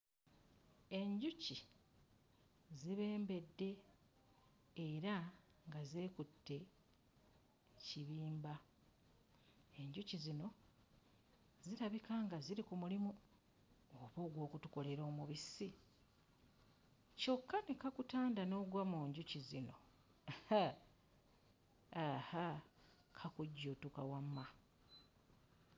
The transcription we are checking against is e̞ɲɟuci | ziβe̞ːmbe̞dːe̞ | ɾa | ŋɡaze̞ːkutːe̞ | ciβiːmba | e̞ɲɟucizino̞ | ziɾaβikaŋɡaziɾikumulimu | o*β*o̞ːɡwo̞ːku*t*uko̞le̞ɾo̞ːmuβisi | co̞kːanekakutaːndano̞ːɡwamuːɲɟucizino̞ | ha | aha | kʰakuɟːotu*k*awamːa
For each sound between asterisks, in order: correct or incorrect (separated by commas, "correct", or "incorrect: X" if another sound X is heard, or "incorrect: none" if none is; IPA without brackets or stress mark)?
correct, correct, correct